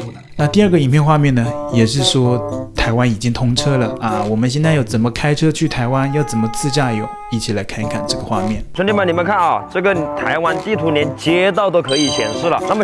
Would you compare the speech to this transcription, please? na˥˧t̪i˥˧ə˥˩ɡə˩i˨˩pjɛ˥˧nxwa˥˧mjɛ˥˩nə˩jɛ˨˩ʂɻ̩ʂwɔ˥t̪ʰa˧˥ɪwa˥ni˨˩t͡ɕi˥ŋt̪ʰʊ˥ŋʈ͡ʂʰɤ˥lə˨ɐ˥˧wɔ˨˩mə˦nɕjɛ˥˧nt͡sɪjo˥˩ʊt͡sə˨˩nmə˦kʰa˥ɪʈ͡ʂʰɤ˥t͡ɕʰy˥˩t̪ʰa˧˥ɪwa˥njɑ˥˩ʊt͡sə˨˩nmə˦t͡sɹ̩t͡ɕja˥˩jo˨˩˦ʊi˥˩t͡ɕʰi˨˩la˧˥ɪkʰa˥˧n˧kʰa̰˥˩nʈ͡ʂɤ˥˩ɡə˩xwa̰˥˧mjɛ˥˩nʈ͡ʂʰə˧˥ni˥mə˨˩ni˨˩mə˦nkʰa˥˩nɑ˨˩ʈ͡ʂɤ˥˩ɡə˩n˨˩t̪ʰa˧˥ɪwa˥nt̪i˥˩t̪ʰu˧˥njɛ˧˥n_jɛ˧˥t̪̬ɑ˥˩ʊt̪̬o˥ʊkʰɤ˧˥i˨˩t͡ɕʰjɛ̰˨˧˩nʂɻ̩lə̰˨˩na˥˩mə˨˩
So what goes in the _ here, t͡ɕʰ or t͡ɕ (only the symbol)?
t͡ɕ